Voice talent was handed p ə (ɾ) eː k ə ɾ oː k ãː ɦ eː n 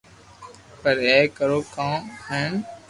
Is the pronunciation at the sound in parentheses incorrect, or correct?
correct